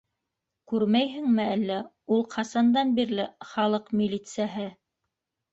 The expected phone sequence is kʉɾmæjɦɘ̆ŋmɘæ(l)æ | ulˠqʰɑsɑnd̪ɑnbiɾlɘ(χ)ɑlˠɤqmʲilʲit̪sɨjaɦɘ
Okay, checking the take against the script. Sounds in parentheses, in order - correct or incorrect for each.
incorrect: lː, correct

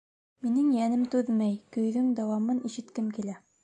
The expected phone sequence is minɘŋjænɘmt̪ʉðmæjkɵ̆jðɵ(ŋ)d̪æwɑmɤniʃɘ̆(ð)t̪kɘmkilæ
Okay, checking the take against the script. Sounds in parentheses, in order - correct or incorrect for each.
correct, incorrect: none

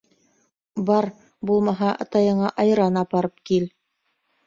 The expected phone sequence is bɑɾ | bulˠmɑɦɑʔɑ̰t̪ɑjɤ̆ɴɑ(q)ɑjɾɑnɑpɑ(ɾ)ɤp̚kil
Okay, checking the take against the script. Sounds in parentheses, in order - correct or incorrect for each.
incorrect: ʔ, correct

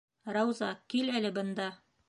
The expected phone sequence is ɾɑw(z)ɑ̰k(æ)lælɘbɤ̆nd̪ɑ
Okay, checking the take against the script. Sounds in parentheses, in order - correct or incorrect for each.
correct, incorrect: i

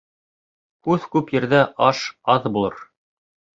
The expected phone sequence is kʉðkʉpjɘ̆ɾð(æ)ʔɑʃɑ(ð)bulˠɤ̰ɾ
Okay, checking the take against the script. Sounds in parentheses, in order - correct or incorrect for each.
correct, correct

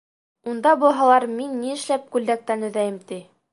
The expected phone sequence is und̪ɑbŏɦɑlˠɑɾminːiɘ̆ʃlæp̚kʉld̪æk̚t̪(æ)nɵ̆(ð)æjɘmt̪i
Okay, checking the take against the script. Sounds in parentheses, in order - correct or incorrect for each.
correct, correct

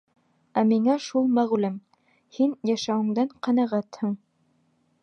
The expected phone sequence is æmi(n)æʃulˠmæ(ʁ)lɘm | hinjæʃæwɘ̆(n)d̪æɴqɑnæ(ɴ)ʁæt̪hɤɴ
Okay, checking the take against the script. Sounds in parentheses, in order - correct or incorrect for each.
incorrect: ŋ, correct, incorrect: ŋ, incorrect: none

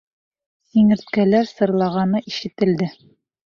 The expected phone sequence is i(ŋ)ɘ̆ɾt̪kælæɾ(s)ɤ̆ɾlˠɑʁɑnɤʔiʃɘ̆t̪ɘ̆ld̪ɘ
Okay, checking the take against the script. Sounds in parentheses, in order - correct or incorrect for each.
correct, correct

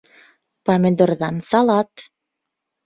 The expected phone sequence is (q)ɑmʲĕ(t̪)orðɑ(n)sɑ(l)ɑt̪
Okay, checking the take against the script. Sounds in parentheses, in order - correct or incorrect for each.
incorrect: p, incorrect: d̪, correct, correct

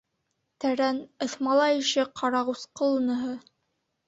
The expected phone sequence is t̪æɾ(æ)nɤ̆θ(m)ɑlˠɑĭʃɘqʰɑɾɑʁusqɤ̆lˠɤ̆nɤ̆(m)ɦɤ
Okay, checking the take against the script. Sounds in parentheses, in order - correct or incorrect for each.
correct, correct, incorrect: none

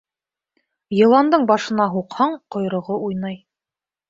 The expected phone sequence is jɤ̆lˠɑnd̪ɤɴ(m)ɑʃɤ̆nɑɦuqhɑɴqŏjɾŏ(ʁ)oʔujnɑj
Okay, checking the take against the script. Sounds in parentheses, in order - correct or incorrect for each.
incorrect: b, correct

